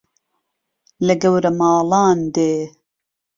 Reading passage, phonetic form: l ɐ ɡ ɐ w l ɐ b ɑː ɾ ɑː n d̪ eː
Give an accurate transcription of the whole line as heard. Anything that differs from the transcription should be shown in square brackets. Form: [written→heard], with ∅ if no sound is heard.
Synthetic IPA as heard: l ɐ ɡ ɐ w [l→ɾ] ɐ [b→m] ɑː [ɾ→l] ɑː n d̪ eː